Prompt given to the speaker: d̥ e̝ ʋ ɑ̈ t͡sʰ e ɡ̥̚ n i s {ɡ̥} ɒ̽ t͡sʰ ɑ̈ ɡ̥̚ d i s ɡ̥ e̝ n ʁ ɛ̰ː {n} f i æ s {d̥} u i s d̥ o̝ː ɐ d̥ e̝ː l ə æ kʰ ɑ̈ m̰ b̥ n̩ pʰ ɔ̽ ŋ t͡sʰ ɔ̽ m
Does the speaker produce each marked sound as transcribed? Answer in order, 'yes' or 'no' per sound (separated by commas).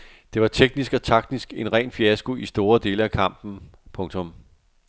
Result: yes, yes, no